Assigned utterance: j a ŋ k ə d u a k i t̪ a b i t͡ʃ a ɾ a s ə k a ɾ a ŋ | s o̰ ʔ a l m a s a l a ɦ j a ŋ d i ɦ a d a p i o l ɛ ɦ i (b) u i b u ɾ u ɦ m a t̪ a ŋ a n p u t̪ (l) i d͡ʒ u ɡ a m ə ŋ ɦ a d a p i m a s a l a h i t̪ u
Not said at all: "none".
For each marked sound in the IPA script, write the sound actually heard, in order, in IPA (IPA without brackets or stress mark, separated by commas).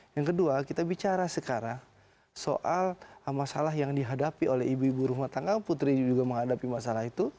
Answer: b, ɾ